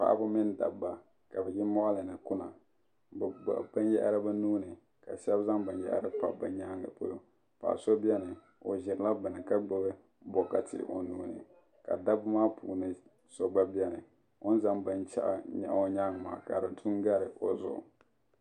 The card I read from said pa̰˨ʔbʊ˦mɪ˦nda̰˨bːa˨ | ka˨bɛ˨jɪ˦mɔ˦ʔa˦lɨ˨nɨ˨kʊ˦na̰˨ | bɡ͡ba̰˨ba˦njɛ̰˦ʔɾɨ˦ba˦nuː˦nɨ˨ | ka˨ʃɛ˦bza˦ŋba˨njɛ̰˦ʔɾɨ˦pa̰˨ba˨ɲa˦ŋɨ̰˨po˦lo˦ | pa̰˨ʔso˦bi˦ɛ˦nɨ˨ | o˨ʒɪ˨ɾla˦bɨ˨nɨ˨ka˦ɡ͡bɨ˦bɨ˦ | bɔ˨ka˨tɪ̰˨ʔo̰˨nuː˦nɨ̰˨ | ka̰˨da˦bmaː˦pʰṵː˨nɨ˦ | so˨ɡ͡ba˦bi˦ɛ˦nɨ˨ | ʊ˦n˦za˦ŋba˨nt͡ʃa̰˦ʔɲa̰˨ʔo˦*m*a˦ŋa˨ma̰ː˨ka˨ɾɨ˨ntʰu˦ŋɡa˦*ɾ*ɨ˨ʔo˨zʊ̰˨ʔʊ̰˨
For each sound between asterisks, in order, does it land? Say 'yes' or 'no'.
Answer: no, yes

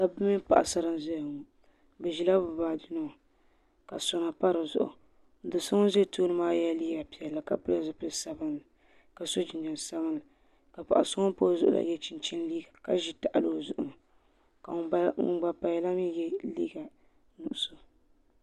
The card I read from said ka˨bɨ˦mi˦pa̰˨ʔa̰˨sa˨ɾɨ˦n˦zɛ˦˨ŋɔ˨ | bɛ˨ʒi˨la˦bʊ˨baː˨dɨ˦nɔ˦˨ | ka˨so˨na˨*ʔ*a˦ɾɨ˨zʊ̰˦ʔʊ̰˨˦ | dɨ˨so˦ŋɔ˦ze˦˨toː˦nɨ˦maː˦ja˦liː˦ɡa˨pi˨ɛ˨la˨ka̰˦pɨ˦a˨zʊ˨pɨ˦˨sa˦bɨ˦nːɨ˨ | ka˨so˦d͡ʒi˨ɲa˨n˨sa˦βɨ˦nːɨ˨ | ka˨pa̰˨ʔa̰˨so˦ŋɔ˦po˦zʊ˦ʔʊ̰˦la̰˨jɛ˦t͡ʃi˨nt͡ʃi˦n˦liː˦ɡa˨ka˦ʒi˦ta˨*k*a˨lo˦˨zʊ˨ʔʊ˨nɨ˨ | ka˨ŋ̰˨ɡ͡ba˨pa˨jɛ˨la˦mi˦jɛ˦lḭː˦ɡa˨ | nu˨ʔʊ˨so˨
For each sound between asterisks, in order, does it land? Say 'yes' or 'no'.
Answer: no, no

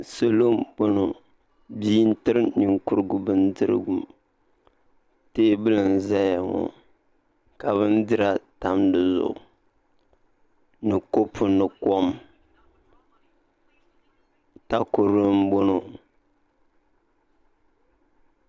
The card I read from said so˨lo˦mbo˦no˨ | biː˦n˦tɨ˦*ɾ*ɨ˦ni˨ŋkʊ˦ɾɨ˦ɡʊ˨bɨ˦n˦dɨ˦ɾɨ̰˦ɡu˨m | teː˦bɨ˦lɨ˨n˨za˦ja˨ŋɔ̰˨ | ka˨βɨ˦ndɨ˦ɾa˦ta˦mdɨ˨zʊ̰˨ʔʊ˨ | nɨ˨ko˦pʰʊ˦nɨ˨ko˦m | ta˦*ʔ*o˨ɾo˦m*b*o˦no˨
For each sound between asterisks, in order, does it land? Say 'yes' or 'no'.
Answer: yes, no, yes

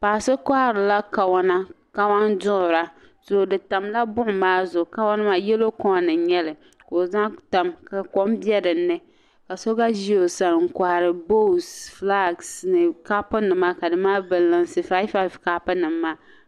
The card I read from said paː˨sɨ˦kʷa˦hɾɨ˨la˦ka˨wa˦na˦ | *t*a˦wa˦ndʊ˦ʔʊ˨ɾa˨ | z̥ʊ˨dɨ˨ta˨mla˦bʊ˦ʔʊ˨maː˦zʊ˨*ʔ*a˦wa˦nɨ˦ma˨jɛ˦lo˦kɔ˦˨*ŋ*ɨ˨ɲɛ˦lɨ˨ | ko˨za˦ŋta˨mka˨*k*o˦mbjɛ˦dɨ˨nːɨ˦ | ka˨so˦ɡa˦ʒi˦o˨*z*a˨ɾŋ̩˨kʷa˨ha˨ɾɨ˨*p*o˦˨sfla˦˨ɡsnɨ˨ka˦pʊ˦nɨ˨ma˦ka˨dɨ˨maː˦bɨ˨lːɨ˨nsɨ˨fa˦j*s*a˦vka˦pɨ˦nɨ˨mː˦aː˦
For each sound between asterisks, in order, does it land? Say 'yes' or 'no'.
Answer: no, no, no, yes, no, no, no

